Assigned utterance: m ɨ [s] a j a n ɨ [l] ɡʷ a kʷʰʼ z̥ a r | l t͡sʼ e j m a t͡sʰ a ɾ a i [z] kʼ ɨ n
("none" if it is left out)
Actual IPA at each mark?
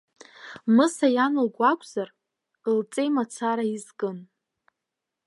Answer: s, l, z

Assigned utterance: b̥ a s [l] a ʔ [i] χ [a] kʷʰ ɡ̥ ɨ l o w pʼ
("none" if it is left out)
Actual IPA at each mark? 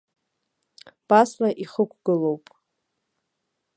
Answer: l, i, ə

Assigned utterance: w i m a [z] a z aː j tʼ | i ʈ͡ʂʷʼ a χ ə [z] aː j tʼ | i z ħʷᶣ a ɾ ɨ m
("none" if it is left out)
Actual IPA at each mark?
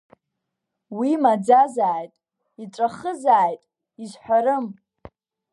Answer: d͡z, z

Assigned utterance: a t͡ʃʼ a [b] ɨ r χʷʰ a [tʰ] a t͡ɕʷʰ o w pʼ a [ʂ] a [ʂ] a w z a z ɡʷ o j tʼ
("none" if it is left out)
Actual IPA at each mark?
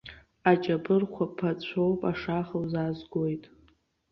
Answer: b, pʰ, ʂ, χ

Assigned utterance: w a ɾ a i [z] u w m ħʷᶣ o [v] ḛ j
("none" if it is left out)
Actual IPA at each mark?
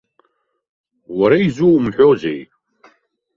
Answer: z, z

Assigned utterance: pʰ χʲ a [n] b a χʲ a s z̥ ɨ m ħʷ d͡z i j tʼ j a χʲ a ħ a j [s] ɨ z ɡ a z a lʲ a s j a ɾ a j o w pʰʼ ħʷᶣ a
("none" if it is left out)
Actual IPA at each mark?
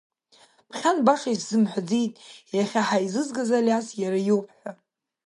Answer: n, z

